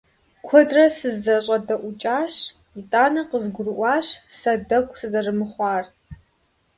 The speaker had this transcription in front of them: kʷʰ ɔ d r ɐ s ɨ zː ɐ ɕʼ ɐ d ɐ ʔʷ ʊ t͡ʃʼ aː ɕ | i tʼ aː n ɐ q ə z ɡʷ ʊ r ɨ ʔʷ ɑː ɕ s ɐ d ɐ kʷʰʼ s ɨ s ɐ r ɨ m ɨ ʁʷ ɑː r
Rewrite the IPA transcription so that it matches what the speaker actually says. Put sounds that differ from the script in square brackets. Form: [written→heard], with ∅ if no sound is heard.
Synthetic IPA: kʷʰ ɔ d r ɐ s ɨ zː ɐ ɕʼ ɐ d ɐ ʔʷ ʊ t͡ʃʼ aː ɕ | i tʼ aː n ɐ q ə z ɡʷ ʊ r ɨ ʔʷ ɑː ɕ s ɐ d ɐ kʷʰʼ s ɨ [s→z] ɐ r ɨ m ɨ [ʁʷ→χʷ] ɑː r